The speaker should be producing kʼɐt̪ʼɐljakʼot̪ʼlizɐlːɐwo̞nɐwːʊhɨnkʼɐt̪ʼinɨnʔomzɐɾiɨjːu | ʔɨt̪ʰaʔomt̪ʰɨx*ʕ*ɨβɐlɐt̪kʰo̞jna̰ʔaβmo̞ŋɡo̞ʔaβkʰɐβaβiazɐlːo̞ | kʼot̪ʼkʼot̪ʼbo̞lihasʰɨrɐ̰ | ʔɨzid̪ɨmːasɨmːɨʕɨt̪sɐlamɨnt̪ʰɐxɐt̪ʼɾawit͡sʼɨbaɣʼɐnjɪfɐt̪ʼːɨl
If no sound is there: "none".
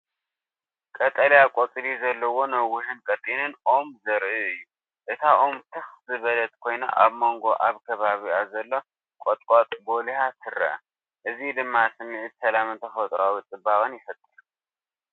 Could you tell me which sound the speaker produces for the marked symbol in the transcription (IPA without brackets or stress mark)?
z